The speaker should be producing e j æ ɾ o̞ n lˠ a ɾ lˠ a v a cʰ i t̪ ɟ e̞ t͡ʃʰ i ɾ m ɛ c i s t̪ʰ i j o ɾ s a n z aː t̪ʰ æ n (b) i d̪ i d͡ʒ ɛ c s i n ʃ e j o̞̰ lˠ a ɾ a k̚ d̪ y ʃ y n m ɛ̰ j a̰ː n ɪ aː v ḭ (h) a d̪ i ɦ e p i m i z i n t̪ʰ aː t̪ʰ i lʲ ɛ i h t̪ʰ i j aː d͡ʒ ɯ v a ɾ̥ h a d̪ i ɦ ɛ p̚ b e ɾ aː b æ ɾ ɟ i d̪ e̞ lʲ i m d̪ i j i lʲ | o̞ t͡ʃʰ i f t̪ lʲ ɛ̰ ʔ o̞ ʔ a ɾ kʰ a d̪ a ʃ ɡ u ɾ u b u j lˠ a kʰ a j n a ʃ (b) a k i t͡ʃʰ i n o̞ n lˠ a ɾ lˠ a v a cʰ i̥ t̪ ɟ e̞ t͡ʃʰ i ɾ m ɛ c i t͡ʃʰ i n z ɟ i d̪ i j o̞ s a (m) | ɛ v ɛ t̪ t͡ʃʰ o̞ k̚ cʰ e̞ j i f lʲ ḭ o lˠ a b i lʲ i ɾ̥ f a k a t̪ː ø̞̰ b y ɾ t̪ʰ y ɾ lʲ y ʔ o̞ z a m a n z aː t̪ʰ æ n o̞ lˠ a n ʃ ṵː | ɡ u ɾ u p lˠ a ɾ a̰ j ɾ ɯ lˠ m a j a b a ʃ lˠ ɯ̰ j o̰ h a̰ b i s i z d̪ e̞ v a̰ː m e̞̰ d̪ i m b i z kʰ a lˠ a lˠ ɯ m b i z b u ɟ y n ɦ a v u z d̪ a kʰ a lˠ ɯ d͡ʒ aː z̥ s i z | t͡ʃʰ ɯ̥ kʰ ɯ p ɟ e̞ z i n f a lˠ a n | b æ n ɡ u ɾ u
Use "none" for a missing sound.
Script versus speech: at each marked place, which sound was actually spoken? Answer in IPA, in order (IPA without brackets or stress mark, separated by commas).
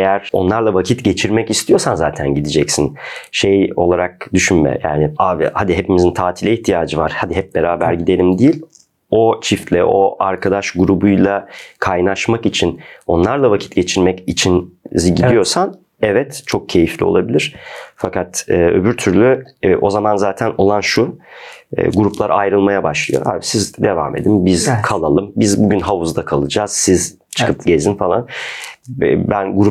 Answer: ɟ, h, m, n